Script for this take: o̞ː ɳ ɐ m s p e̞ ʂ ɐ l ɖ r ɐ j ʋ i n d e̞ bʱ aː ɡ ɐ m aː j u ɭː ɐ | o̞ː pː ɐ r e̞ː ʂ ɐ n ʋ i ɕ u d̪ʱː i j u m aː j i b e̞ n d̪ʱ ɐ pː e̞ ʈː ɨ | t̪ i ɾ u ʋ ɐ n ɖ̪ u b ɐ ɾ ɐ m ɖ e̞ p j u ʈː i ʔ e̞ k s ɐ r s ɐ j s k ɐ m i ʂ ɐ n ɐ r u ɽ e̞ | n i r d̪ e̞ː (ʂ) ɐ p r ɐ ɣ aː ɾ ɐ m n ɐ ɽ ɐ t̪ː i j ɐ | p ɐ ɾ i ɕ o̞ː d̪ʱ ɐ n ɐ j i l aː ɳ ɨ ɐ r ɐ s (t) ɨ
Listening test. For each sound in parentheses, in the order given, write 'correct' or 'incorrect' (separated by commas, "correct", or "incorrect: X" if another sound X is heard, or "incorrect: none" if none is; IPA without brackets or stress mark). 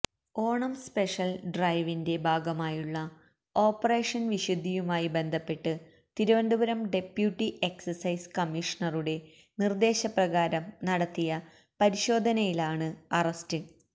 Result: incorrect: ɕ, correct